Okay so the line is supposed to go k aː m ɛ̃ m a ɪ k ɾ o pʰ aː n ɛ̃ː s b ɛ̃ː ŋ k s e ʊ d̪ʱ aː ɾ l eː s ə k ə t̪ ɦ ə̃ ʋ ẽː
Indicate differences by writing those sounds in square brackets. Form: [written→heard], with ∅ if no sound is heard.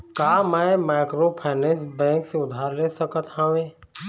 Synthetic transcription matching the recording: k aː m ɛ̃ m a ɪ k ɾ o pʰ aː n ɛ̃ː s b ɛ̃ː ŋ k s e ʊ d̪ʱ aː ɾ l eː s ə k ə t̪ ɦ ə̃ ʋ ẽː